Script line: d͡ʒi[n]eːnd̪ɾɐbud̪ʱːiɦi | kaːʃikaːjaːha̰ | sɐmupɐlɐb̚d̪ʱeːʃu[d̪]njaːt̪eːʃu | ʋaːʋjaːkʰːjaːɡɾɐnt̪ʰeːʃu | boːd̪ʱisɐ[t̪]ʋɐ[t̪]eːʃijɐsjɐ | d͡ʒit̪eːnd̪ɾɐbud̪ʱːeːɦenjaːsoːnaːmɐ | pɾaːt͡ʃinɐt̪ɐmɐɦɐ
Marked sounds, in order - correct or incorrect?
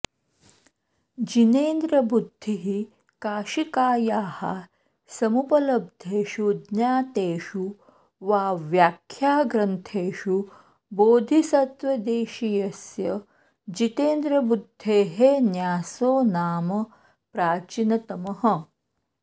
correct, correct, correct, incorrect

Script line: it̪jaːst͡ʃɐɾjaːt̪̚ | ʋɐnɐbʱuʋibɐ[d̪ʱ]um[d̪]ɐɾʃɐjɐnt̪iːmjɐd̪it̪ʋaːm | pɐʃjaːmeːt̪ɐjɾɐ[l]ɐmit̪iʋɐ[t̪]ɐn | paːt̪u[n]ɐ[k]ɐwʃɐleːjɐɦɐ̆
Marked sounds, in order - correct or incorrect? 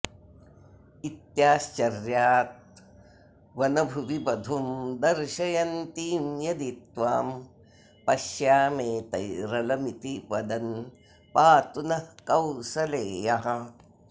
correct, correct, correct, incorrect, correct, correct

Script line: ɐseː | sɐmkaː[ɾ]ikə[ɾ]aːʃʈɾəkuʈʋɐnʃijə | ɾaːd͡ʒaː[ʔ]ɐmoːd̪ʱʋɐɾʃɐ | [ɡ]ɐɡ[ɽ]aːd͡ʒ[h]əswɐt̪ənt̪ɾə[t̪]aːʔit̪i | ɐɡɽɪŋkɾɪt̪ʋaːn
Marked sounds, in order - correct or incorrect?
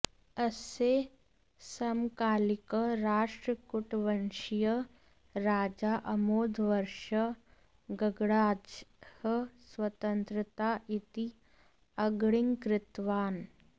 incorrect, correct, correct, correct, correct, correct, correct

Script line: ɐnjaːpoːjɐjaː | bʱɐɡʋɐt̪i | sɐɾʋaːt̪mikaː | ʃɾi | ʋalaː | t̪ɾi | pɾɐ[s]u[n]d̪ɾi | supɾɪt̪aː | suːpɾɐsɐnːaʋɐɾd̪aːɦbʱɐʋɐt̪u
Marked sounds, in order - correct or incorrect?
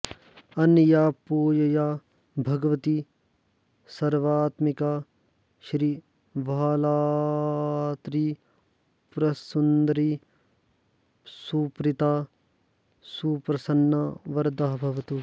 correct, correct

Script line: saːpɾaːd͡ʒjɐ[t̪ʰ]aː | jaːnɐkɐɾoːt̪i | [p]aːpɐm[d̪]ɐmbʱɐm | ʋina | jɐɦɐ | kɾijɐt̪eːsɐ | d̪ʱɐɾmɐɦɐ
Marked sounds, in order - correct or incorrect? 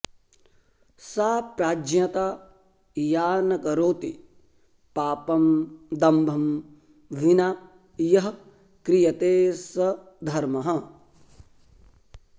incorrect, correct, correct

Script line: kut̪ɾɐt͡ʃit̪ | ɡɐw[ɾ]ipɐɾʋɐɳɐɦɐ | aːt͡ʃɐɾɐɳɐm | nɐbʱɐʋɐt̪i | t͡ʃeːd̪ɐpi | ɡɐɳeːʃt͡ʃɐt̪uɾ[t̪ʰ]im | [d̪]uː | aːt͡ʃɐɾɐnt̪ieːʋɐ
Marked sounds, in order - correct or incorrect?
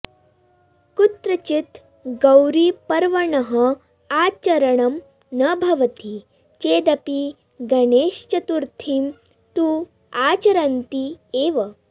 correct, correct, incorrect

